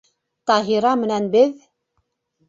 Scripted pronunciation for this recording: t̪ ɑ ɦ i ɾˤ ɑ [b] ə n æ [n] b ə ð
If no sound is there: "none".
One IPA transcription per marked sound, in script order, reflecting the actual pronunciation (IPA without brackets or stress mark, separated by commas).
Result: m, n